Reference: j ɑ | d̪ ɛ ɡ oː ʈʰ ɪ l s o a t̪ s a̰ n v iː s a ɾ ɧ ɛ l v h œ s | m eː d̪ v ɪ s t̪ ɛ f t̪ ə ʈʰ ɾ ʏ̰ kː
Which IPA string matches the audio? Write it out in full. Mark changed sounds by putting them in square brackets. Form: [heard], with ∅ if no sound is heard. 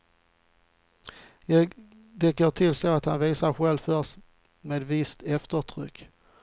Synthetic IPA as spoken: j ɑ | d̪ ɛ ɡ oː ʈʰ ɪ l s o a t̪ [h] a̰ n v iː s a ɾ ɧ ɛ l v [f] œ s | m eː d̪ v ɪ s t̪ ɛ f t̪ ə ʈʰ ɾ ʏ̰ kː